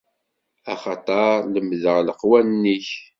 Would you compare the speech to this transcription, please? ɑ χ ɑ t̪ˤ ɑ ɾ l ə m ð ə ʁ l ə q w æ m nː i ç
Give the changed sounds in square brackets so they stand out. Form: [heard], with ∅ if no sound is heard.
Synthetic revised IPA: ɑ χ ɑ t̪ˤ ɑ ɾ l ə m ð ə ʁ l ə q w æ [n] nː i ç